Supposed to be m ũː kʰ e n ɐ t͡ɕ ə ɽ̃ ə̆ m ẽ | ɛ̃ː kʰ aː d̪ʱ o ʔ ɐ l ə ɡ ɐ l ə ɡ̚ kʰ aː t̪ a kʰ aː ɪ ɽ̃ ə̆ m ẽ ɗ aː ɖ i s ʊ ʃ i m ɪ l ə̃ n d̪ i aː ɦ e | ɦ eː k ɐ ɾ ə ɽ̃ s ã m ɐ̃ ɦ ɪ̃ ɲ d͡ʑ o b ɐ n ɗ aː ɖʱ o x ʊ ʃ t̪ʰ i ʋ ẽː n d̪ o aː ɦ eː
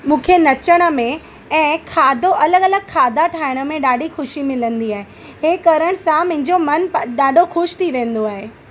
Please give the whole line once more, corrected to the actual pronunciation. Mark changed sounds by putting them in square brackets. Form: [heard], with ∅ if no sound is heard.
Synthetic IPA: m ũː kʰ e n ɐ t͡ɕ ə ɽ̃ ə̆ m ẽ | ɛ̃ː kʰ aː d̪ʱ o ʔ ɐ l ə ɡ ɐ l ə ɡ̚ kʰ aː [d̪] a [ʈʰ] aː ɪ ɽ̃ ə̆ m ẽ ɗ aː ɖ i [x] ʊ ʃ i m ɪ l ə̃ n d̪ i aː ɦ e | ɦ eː k ɐ ɾ ə ɽ̃ s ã m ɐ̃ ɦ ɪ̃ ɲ d͡ʑ o [m] ɐ n ɗ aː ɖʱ o x ʊ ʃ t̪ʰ i ʋ ẽː n d̪ o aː ɦ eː